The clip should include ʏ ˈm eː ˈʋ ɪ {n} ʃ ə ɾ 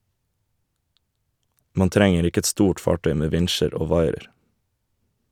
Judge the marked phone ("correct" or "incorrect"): correct